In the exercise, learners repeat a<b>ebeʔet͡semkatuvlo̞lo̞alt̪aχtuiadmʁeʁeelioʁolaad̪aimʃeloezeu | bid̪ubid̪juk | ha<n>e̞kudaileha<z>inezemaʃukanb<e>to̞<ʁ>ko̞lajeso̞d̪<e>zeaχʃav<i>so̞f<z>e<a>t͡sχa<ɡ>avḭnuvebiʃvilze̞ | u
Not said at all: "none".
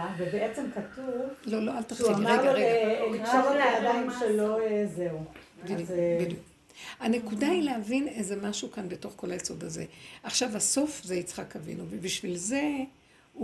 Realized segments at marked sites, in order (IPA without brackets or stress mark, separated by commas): v, n, v, e, χ, a, a, z, i, k